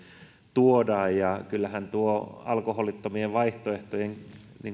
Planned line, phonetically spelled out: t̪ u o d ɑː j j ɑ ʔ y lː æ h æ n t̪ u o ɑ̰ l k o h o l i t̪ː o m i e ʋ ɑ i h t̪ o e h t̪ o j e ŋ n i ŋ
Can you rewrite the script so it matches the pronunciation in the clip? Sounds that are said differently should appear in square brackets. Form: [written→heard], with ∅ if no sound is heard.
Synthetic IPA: t̪ u o d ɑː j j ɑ [ʔ→k] y lː æ h æ n t̪ u o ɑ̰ l k o h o l i t̪ː o m i e ʋ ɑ i h t̪ o e h t̪ o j e ŋ n i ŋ